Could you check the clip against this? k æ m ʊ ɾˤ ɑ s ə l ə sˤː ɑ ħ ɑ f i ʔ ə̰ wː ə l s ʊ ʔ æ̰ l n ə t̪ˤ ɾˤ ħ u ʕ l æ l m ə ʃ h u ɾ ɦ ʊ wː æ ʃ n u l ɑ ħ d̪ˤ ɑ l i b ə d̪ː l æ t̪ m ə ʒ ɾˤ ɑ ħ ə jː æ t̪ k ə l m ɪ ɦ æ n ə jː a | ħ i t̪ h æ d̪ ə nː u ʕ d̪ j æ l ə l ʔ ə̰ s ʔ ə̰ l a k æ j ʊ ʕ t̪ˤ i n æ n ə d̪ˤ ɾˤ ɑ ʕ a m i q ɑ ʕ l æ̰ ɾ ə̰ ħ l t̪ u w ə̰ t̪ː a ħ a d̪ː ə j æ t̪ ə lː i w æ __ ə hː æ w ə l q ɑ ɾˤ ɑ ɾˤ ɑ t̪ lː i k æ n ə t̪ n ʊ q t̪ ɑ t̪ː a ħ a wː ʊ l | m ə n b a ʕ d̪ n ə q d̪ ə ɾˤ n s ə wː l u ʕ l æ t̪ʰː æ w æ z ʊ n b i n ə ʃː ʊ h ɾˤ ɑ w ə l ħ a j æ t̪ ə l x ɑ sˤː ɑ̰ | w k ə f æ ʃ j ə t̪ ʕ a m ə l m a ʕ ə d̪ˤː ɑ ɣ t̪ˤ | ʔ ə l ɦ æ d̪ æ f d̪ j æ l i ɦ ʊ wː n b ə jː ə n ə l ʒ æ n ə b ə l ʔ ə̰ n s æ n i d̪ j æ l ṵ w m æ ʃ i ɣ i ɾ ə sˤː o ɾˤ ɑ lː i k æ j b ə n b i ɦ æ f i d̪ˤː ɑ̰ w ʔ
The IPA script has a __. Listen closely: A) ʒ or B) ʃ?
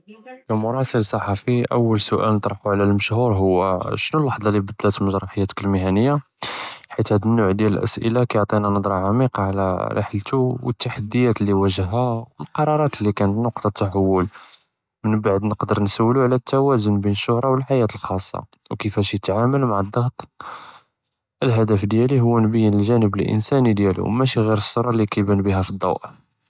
A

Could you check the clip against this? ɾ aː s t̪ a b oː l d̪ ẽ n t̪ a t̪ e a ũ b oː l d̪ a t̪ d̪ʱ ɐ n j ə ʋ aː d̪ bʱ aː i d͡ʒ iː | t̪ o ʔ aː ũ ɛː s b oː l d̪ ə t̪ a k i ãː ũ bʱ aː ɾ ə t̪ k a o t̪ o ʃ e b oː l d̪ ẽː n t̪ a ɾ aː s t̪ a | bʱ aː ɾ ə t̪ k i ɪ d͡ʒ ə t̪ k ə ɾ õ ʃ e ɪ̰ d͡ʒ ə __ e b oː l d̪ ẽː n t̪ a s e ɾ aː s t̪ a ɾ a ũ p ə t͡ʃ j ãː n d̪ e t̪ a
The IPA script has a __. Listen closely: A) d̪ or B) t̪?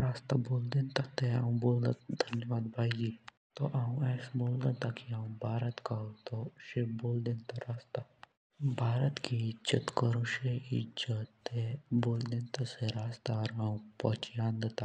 B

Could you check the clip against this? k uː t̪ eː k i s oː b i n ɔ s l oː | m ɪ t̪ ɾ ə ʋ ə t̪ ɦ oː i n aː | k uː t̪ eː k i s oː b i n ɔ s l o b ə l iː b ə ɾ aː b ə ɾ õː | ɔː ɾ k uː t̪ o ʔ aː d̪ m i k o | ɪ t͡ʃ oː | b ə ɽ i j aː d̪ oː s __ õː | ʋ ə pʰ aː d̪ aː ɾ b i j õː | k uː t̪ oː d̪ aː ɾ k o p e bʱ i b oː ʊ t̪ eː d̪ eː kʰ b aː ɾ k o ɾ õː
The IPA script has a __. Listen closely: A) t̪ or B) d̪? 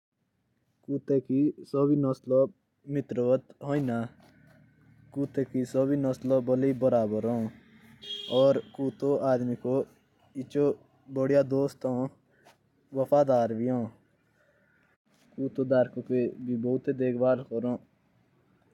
A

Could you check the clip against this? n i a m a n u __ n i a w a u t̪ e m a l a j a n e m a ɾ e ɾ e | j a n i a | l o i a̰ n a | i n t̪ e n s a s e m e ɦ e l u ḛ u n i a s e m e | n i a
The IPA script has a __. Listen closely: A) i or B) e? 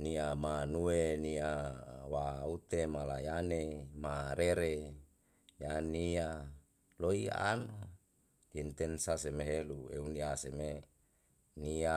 B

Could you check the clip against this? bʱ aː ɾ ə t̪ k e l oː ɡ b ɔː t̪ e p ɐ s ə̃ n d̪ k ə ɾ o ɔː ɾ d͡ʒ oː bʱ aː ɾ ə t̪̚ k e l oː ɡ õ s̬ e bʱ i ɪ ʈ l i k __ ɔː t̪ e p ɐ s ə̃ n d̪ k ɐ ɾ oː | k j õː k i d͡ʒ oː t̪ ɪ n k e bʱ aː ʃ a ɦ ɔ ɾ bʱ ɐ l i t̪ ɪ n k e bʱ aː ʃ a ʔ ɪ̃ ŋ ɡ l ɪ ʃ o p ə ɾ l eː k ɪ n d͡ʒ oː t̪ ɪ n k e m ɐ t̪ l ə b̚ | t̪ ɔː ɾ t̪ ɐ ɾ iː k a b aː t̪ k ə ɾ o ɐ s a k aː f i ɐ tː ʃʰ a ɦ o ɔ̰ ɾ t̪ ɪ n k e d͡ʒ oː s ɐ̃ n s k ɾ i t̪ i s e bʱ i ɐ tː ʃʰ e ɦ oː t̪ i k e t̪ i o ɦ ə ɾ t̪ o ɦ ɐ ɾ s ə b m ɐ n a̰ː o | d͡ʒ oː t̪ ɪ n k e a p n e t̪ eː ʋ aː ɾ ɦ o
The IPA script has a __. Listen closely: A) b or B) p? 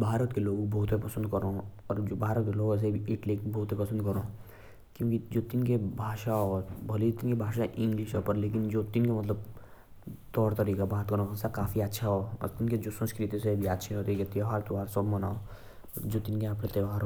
A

